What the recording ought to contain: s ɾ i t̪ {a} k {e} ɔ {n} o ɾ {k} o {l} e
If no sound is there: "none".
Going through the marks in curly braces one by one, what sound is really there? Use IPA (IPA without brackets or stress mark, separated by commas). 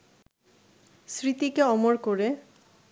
i, e, m, k, ɾ